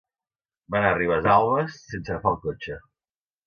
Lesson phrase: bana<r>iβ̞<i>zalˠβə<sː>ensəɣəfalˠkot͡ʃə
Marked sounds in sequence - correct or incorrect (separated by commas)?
correct, incorrect, correct